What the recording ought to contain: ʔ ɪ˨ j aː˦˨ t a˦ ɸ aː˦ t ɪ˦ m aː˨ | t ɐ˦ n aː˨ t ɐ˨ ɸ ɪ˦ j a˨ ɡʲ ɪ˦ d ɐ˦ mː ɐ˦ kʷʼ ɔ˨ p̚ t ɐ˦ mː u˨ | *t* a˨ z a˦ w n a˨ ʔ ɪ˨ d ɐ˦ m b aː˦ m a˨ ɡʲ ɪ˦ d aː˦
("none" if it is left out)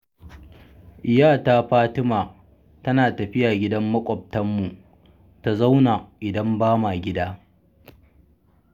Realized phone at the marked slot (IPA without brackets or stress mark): t